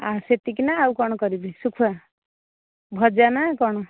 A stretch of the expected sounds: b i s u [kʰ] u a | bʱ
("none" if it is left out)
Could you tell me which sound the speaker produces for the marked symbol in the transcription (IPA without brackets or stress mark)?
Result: kʰ